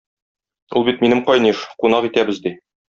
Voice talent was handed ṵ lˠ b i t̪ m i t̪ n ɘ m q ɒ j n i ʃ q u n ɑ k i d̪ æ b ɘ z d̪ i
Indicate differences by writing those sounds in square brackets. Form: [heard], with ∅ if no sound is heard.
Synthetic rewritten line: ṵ lˠ b i t̪ m i [∅] n ɘ m q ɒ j n i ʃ q u n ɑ [q] i [t̪] æ b ɘ z d̪ i